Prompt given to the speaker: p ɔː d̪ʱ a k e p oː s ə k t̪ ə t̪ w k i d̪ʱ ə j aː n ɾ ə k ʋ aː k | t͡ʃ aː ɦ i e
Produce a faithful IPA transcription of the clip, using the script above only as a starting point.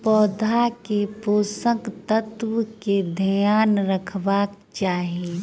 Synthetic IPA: p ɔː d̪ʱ a k e p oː s ə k t̪ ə t̪ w k e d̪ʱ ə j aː n ɾ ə kʰ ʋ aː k | t͡ʃ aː ɦ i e